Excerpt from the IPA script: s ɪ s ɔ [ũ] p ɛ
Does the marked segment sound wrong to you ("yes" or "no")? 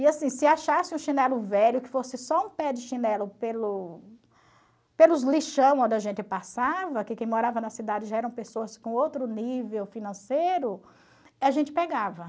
no